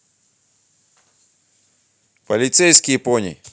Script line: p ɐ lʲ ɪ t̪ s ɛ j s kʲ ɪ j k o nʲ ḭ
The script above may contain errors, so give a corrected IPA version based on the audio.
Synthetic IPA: p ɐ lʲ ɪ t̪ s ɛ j s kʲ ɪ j p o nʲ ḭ